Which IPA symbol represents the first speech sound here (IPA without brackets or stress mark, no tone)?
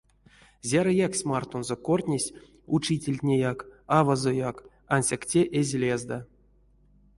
zʲ